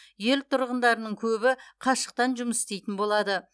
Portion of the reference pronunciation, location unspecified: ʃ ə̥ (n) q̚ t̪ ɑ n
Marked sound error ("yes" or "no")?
yes